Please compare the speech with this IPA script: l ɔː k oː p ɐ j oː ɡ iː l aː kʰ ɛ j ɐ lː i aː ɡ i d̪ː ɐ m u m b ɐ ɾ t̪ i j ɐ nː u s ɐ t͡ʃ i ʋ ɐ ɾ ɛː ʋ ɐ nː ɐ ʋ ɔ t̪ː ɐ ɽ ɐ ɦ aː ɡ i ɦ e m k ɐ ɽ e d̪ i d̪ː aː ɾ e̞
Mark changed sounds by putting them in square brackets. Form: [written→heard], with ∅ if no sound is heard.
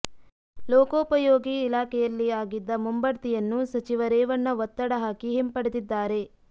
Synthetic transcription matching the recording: l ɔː k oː p ɐ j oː ɡ iː l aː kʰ ɛ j ɐ lː i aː ɡ i d̪ː ɐ m u m b ɐ ɾ t̪ i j ɐ nː u s ɐ t͡ʃ i ʋ ɐ ɾ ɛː ʋ ɐ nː ɐ ʋ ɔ t̪ː ɐ ɽ ɐ ɦ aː [ɡ→k] i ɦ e m [k→p] ɐ ɽ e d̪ i d̪ː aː ɾ e̞

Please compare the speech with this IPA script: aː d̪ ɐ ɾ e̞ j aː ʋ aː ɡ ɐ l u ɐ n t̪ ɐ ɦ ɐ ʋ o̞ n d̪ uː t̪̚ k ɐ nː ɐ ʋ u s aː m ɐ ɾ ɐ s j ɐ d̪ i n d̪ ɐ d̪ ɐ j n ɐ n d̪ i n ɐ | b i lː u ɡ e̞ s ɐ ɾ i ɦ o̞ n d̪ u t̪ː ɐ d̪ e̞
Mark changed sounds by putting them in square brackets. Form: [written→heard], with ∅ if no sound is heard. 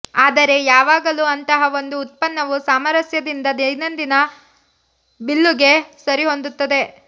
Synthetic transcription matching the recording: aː d̪ ɐ ɾ e̞ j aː ʋ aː ɡ ɐ l u ɐ n t̪ ɐ ɦ ɐ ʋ o̞ n d̪ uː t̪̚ [k→p] ɐ nː ɐ ʋ u s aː m ɐ ɾ ɐ s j ɐ d̪ i n d̪ ɐ d̪ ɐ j n ɐ n d̪ i n ɐ | b i lː u ɡ e̞ s ɐ ɾ i ɦ o̞ n d̪ u t̪ː ɐ d̪ e̞

